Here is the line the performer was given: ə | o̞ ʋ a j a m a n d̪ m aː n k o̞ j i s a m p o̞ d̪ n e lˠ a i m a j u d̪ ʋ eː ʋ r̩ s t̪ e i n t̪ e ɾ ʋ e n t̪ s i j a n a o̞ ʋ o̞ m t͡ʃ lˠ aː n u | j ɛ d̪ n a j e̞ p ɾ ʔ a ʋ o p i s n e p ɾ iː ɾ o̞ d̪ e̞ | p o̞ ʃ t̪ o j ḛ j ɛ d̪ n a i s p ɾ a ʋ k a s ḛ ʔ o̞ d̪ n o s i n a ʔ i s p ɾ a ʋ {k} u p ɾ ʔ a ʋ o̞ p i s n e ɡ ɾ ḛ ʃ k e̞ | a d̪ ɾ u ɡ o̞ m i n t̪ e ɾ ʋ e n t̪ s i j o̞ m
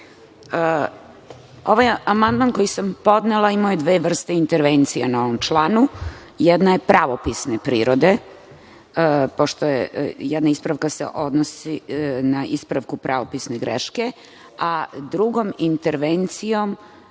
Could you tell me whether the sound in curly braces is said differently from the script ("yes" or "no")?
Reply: no